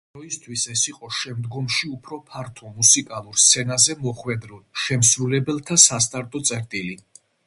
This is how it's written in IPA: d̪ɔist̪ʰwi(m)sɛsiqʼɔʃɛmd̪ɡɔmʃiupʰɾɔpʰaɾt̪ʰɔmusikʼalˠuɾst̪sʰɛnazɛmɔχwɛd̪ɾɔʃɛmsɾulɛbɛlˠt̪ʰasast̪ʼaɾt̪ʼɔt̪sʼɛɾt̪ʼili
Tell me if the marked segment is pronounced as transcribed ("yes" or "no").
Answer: no